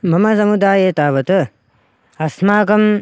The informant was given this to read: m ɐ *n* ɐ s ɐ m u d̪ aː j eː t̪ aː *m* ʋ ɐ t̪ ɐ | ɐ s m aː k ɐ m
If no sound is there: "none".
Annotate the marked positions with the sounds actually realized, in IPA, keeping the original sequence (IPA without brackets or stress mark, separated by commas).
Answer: m, none